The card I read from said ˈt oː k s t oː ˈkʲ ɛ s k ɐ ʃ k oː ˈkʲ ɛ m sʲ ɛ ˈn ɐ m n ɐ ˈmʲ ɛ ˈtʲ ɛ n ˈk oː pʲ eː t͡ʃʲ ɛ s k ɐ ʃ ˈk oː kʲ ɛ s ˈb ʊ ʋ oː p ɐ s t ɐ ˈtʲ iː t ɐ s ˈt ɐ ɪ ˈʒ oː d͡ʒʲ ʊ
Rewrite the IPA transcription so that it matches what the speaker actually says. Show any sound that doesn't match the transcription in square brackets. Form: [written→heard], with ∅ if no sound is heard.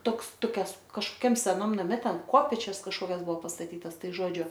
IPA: ˈt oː k s t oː ˈkʲ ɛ s k ɐ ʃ k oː ˈkʲ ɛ m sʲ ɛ ˈn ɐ m n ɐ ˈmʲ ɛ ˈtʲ ɛ n ˈk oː pʲ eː t͡ʃʲ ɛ s k ɐ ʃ ˈk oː kʲ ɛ s ˈb ʊ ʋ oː p ɐ s t ɐ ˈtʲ iː t ɐ s ˈt ɐ ɪ ˈʒ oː d͡ʒʲ ʊ

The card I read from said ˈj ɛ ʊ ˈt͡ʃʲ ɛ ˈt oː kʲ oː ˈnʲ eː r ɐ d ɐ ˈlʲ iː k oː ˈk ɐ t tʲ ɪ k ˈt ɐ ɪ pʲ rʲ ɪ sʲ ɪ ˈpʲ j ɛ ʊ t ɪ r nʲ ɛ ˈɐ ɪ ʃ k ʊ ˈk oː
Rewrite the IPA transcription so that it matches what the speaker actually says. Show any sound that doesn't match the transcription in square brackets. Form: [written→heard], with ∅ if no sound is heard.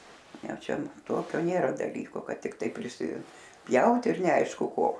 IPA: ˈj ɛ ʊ ˈt͡ʃʲ ɛ ˈt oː kʲ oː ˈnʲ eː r ɐ d ɐ ˈlʲ iː k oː ˈk ɐ t tʲ ɪ k ˈt ɐ ɪ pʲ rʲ ɪ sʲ ɪ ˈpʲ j ɛ ʊ t ɪ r nʲ ɛ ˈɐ ɪ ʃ k ʊ ˈk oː

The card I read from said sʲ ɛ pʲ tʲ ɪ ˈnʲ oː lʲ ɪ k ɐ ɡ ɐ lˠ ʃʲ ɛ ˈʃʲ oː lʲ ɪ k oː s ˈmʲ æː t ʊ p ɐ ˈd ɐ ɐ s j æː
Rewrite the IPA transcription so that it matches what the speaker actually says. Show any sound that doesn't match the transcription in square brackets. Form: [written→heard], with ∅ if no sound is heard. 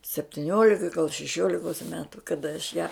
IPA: sʲ ɛ pʲ tʲ ɪ ˈnʲ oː lʲ ɪ k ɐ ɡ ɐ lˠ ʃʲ ɛ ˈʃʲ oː lʲ ɪ k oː s ˈmʲ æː t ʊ [p→k] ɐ ˈd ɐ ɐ [s→ʃ] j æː

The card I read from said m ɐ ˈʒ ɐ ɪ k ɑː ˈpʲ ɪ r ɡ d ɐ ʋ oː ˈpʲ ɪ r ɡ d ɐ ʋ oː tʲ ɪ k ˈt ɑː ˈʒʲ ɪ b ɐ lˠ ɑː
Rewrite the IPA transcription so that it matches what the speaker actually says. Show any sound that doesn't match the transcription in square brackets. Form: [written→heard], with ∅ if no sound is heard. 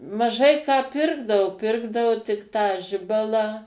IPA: m ɐ ˈʒ ɐ ɪ k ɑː ˈpʲ ɪ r ɡ d ɐ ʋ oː ˈpʲ ɪ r ɡ d ɐ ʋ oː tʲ ɪ k ˈt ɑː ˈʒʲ ɪ b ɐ lˠ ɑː

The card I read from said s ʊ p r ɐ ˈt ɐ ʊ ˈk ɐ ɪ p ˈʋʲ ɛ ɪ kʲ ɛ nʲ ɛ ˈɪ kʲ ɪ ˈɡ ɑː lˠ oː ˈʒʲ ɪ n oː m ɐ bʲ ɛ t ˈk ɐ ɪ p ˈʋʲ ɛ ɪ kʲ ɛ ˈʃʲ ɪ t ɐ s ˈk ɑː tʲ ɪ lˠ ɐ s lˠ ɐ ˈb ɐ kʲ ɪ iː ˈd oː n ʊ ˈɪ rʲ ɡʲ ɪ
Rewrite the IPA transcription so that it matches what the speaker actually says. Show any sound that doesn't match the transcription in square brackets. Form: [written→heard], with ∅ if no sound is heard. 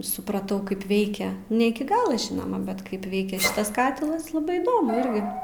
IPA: s ʊ p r ɐ ˈt ɐ ʊ ˈk ɐ ɪ p ˈʋʲ ɛ ɪ kʲ ɛ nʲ ɛ ˈɪ kʲ ɪ ˈɡ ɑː lˠ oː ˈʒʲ ɪ n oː m ɐ bʲ ɛ t ˈk ɐ ɪ p ˈʋʲ ɛ ɪ kʲ ɛ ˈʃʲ ɪ t ɐ s ˈk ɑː tʲ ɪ lˠ ɐ s lˠ ɐ ˈb ɐ [kʲ→∅] ɪ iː ˈd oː [n→m] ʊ ˈɪ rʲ ɡʲ ɪ

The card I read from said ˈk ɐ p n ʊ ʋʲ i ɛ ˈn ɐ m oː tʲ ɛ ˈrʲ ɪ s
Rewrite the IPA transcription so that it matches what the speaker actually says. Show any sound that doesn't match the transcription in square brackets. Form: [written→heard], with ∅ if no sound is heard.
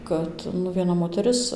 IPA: ˈk ɐ [p→t] n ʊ ʋʲ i ɛ ˈn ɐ m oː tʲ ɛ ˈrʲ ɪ s

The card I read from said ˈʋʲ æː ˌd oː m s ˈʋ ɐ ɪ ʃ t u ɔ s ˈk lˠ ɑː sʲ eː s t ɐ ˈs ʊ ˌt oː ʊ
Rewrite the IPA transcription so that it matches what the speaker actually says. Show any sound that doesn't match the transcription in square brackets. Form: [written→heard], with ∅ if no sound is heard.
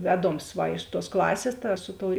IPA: ˈʋʲ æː ˌd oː m s ˈʋ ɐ ɪ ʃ t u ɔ s ˈk lˠ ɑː sʲ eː s t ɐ ˈs ʊ ˌt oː ʊ

